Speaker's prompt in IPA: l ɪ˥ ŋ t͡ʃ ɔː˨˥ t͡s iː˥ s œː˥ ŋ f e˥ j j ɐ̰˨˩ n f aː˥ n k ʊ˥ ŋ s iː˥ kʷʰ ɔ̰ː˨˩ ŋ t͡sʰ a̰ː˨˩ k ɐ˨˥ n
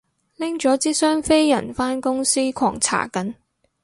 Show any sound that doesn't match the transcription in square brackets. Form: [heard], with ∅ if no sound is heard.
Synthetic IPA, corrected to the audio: l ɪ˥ ŋ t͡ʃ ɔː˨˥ t͡s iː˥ s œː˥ ŋ f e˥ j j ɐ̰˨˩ n f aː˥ n k ʊ˥ ŋ s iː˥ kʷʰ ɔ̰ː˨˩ ŋ t͡sʰ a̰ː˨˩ k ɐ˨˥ n